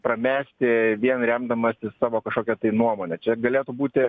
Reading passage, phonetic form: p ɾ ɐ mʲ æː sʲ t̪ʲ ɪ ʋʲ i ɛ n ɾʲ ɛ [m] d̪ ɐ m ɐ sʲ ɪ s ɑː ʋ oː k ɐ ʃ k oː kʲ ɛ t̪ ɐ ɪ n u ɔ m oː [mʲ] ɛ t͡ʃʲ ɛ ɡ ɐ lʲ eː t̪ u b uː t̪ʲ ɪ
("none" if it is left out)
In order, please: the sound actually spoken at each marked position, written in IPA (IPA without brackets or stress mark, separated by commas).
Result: m, nʲ